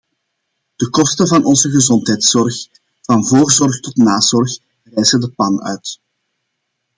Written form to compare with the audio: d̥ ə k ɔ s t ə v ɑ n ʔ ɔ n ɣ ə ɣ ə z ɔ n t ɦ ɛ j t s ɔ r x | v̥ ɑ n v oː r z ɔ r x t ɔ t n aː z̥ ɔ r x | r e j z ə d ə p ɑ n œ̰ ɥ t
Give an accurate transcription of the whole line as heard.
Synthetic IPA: d̥ ə k ɔ s t ə v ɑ n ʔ ɔ n z ə ɣ ə z ɔ n t ɦ ɛ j t s ɔ r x | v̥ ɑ n v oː r z ɔ r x t ɔ t n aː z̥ ɔ r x | r ɛ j z ə d ə p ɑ n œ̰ ɥ t

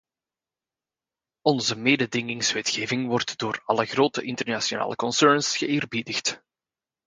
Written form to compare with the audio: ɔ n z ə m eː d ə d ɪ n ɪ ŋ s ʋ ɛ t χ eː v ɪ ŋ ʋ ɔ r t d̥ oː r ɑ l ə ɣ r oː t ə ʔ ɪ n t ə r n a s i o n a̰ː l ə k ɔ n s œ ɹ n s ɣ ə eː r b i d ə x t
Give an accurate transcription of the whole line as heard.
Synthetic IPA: ɔ n z ə m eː d ə d ɪ ŋ ɪ ŋ s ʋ ɛ t x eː v ɪ ŋ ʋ ɔ r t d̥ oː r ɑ l ə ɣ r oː t ə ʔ ɪ n t ə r n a s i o n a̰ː l ə k ɔ n s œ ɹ n s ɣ ə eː r b i d ə x t

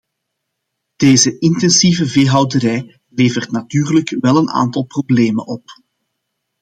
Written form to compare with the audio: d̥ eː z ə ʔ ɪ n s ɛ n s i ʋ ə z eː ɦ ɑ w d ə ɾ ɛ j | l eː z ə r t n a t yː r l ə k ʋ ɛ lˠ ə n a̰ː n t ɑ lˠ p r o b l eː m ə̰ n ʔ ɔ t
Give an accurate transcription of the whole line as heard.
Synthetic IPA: d̥ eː z ə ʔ ɪ n t ɛ n s i v ə v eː ɦ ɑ w d ə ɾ ɛ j | l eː v ə r t n a t yː r l ə k ʋ ɛ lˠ ə n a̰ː n t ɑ lˠ p r o b l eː m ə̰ n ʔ ɔ p

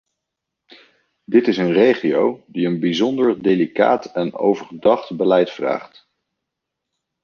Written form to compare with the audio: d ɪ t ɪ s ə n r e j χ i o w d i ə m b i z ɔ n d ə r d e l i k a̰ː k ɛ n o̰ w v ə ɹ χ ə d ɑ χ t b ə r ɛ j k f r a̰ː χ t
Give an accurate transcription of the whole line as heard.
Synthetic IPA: d ɪ t ɪ s ə n r e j χ i o w d i ə n b i z ɔ n d ə ɹ d e l i k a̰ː t ɛ n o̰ w v ə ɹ χ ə d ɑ χ t b ə l ɛ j t f r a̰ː χ t

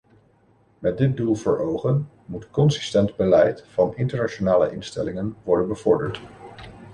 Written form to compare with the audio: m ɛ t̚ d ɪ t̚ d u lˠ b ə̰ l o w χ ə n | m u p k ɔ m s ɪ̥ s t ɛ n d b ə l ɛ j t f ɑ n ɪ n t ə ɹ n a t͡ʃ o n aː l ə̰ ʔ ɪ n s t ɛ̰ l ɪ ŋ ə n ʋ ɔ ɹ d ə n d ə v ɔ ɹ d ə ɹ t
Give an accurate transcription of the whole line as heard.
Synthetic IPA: m ɛ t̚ d ɪ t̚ d u lˠ v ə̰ ɹ o w χ ə n | m u t k ɔ n s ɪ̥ s t ɛ n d b ə l ɛ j t f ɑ n ɪ n t ə ɹ n a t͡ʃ o n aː l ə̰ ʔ ɪ n s t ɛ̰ l ɪ ŋ ə n ʋ ɔ ɹ d ə n b ə v ɔ ɹ d ə ɹ t

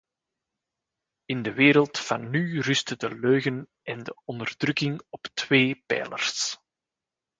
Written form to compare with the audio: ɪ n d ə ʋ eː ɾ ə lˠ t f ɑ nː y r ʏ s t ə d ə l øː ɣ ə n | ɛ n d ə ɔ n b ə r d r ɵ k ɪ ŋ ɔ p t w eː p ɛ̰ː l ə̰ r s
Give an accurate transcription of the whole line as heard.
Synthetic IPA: ɪ n d ə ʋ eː ɾ ə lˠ t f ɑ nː y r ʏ s t ə d ə l øː ɣ ə n | ɛ n d ə ɔ n d ə r d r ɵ k ɪ ŋ ɔ p t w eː p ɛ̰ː l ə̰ r s

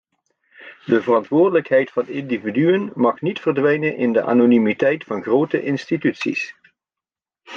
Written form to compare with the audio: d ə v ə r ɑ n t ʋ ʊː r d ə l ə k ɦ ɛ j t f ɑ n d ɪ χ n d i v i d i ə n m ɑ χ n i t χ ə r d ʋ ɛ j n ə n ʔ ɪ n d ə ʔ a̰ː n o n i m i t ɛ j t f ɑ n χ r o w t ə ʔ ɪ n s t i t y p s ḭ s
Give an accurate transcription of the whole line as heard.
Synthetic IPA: d ə v ə r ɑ n t ʋ ʊː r d ə l ə k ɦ ɛ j t f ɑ n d ɪ n d i v i d y ə n m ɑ χ n i t f ə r d ʋ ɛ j n ə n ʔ ɪ n d ə ʔ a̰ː n o n i m i t ɛ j t f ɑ n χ r o w t ə ʔ ɪ n s t i t y t s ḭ s

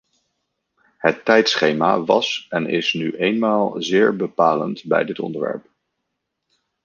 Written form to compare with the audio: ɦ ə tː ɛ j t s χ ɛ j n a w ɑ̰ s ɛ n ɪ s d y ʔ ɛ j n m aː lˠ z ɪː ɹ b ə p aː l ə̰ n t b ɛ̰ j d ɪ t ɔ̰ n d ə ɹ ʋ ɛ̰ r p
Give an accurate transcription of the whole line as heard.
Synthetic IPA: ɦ ə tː ɛ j t s χ e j m a ʋ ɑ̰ s ɛ n ɪ s n y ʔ e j n m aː lˠ z ɪː ɹ b ə p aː l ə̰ n t b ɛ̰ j d ɪ t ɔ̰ n d ə ɹ ʋ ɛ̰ ɹ p

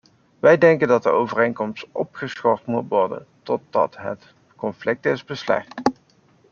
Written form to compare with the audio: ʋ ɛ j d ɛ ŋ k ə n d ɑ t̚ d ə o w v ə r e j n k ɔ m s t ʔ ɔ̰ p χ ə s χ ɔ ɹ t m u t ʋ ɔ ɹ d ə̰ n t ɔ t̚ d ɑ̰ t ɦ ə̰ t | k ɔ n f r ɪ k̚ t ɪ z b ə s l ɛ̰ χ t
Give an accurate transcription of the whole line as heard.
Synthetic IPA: ʋ ɛ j d ɛ ŋ k ə n d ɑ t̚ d ə o w v ə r e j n k ɔ m s t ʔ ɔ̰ p χ ə s χ ɔ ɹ t m u t ʋ ɔ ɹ d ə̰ n t ɔ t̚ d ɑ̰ t ɦ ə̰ t | k ɔ n f l ɪ k̚ t ɪ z b ə s l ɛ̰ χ t

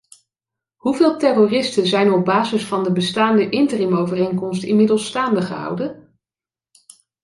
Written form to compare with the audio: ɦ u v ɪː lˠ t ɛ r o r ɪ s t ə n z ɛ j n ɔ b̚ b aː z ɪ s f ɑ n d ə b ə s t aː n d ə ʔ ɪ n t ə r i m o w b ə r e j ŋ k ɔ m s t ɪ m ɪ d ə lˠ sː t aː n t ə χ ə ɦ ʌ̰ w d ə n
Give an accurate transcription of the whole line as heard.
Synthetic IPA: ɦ u v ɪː lˠ t ɛ r o r ɪ s t ə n z ɛ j n ɔ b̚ b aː z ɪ s f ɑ n d ə b ə s t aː n d ə ʔ ɪ n t ə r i m o w v ə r e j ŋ k ɔ m s t ɪ m ɪ d ə lˠ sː t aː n d ə χ ə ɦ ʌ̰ w d ə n

